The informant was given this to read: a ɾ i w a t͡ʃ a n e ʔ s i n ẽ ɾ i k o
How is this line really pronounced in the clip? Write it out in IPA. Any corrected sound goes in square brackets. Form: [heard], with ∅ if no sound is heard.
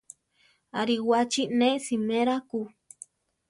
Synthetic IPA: a ɾ i w a t͡ʃ [i] n e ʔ s i [m] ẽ ɾ [a] k [u]

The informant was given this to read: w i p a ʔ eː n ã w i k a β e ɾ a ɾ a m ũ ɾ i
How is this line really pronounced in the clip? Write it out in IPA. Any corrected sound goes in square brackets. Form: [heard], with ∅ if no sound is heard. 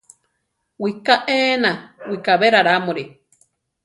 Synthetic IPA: w i [k] a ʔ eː n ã w i k a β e ɾ a ɾ a m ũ ɾ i

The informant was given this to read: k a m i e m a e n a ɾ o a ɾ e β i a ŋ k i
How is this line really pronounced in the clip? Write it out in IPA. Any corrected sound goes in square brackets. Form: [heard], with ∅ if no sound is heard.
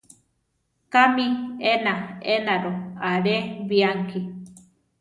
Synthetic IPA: k a m i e [n] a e n a ɾ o a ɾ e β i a ŋ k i

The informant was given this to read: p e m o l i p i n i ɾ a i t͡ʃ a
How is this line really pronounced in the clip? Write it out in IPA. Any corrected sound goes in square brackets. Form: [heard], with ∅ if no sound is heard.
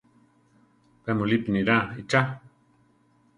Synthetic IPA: p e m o l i p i n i ɾ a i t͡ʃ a

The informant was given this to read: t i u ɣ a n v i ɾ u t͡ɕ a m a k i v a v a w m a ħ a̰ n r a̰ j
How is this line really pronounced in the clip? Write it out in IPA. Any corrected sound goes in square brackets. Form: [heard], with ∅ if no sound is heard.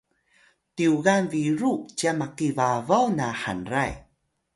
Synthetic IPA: t i u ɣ a n v i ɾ u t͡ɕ a m a k i v a v a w [n] a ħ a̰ n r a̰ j

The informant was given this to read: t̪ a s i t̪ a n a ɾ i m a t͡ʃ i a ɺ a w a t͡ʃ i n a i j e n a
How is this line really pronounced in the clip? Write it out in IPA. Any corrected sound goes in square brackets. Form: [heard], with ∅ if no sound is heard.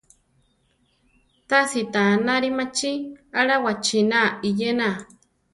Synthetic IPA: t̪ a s i t̪ a n a ɾ i m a t͡ʃ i a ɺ a w a t͡ʃ i n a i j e n a

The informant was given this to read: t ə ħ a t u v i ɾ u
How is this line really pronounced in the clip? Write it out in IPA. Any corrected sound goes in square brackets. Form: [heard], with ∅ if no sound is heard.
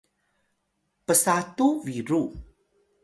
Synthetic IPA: [p] ə [s] a t u v i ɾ u

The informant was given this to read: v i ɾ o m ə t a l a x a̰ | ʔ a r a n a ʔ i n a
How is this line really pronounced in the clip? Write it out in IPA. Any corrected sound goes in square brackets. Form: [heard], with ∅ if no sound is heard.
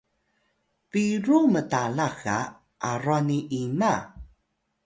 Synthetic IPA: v i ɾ [u] m ə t a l a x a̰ | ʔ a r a n [i] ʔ i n a

